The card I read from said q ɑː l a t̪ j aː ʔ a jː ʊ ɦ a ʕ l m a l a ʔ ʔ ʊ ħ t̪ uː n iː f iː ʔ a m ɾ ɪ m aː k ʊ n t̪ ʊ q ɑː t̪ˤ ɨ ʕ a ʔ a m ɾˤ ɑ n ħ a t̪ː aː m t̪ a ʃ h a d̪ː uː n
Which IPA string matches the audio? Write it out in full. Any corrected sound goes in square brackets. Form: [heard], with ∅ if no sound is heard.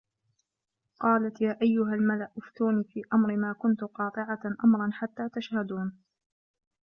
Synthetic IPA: q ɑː l a t̪ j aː ʔ a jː ʊ ɦ a [∅] l m a l a ʔ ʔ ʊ [f] t̪ uː n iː f iː ʔ a m ɾ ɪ m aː k ʊ n t̪ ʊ q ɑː t̪ˤ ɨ ʕ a ʔ a m ɾˤ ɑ n ħ a t̪ː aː [∅] t̪ a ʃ h a [d̪] uː n

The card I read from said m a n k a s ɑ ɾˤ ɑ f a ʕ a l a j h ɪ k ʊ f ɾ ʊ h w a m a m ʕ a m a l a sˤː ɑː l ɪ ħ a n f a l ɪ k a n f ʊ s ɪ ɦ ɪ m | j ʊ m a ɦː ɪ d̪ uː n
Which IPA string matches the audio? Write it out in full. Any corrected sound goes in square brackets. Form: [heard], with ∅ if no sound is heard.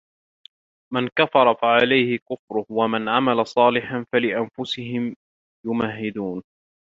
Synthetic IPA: m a n k a [f] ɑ ɾˤ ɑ f a ʕ a l a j h ɪ k ʊ f ɾ ʊ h w a m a [n] ʕ a m a l a [sˤ] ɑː l ɪ ħ a n f a l ɪ [ʔ] a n f ʊ s ɪ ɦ ɪ m | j ʊ m a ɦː ɪ d̪ uː n

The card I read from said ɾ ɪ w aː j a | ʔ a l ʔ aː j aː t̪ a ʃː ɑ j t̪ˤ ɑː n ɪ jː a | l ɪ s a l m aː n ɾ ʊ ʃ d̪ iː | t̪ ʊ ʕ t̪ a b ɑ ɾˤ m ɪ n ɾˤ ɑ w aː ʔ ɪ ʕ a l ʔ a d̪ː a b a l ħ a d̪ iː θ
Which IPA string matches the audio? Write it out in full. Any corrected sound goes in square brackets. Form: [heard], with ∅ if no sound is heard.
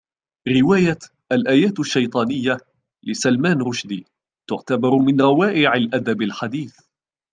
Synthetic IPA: ɾ ɪ w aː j a | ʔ a l ʔ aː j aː t̪ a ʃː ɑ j t̪ˤ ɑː n ɪ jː a | l ɪ s a l m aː n ɾ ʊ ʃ d̪ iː | t̪ ʊ ʕ t̪ a b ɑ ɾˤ m ɪ n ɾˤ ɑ w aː ʔ ɪ ʕ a l ʔ a [d̪] a b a l ħ a d̪ iː θ

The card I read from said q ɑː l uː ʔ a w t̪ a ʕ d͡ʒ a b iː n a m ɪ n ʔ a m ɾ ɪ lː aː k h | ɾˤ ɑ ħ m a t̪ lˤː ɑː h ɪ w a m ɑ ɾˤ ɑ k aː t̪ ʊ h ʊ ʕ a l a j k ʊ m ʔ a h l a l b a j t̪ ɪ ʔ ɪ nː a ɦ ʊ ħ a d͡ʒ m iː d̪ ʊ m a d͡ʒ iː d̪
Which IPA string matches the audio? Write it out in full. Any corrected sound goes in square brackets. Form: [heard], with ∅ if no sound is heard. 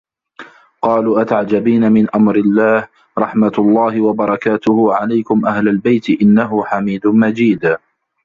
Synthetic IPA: q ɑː l uː ʔ a [∅] t̪ a ʕ d͡ʒ a b iː n a m ɪ n ʔ a m ɾ ɪ lː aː [∅] h | ɾˤ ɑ ħ m a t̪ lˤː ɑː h ɪ w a [b] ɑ ɾˤ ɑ k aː t̪ ʊ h ʊ ʕ a l a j k ʊ m ʔ a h l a l b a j t̪ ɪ ʔ ɪ nː a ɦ ʊ ħ a [∅] m iː d̪ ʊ m a d͡ʒ iː d̪

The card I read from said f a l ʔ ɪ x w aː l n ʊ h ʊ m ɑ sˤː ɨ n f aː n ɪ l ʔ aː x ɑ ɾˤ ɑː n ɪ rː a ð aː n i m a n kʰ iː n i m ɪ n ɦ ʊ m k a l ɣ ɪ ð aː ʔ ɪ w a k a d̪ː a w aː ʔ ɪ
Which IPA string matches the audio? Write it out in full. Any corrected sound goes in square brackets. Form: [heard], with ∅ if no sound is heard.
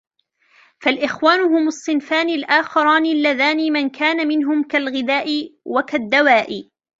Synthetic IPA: f a l ʔ ɪ x w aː [∅] n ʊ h ʊ m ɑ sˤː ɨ n f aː n ɪ l ʔ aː x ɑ ɾˤ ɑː n ɪ [lː] a ð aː n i m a n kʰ [aː] n [a] m ɪ n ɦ ʊ m k a l ɣ ɪ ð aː ʔ ɪ w a k a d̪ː a w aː ʔ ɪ

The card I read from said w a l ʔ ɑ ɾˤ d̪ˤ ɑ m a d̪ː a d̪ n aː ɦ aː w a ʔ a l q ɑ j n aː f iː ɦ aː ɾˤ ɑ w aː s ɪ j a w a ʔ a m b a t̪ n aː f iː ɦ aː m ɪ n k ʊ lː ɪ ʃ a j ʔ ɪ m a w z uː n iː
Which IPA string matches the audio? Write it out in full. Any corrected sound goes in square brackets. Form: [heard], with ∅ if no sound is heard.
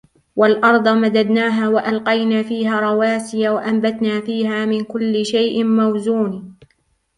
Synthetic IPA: w a l ʔ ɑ ɾˤ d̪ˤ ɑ m a [d̪] a d̪ n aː ɦ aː w a ʔ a l q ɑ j n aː f iː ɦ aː ɾˤ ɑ w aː s ɪ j a w a ʔ a m b a t̪ n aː f iː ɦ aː m ɪ n k ʊ lː ɪ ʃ a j ʔ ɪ m a w z uː n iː

